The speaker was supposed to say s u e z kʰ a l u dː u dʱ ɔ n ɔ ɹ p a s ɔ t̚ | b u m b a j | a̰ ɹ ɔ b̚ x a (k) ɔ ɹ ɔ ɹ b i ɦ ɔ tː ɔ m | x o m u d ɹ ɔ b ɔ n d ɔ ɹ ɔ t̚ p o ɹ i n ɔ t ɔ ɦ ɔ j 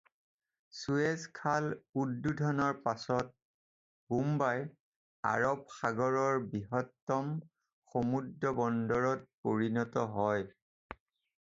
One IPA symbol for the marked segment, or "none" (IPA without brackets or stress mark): ɡ